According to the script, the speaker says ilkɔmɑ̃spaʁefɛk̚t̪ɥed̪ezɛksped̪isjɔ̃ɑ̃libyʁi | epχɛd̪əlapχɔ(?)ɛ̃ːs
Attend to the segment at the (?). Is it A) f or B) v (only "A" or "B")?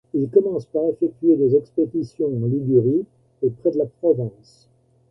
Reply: B